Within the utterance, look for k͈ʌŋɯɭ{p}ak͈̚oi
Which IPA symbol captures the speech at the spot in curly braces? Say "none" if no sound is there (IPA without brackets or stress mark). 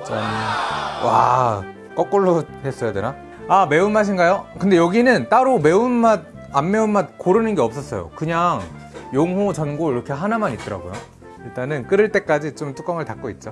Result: t